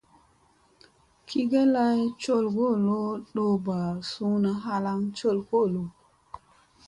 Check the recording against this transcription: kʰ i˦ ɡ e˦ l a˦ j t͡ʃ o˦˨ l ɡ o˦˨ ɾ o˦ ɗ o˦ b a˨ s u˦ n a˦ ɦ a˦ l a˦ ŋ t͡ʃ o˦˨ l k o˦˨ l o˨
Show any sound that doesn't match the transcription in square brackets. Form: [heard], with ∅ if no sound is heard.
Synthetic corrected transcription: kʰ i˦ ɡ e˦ l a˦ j t͡ʃ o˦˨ l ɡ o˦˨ [l] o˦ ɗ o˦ b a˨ s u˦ n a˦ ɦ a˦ l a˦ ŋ t͡ʃ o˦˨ l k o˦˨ l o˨